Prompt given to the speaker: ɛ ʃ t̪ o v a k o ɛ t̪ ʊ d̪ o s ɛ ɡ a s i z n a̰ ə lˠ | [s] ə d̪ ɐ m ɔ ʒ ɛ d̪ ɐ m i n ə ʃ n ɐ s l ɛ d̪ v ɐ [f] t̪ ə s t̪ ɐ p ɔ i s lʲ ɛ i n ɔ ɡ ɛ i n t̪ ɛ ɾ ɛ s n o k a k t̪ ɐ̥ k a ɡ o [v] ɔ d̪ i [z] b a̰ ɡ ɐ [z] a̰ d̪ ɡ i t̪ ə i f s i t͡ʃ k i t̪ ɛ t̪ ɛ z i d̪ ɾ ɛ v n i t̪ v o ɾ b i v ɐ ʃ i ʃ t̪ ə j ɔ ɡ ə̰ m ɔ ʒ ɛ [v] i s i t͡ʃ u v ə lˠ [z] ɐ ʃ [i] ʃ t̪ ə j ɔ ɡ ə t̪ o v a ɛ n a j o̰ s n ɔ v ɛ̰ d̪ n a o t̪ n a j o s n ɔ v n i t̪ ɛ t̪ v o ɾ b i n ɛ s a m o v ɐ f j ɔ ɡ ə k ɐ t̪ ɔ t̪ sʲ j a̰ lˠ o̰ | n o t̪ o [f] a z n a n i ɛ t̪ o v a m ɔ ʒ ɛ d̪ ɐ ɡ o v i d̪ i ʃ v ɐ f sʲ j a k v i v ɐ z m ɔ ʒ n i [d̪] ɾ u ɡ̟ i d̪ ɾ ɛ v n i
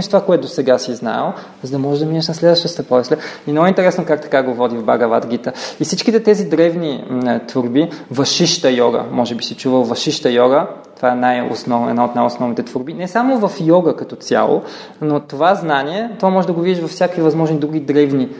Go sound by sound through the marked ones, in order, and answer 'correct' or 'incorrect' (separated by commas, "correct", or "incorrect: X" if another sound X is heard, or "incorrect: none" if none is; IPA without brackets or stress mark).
incorrect: z, incorrect: ʃ, correct, incorrect: v, incorrect: v, incorrect: b, incorrect: v, correct, incorrect: v, correct